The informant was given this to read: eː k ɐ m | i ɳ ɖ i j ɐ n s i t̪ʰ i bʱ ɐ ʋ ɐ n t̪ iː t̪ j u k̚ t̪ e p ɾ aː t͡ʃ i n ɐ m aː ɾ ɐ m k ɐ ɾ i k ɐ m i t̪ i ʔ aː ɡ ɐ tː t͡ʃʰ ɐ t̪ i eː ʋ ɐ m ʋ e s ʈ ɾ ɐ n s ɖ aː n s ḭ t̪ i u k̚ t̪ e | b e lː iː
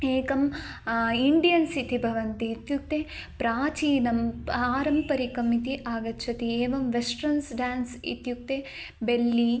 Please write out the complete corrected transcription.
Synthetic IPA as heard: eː k ɐ m | i ɳ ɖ i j ɐ n s i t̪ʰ i bʱ ɐ ʋ ɐ n t̪ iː t̪ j u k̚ t̪ e p ɾ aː t͡ʃ iː n ɐ m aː ɾ ɐ m p ɐ ɾ i k ɐ m i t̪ i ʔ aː ɡ ɐ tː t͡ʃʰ ɐ t̪ i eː ʋ ɐ m ʋ e s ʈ ɾ ɐ n s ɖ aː n s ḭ t̪ j u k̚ t̪ e | b e lː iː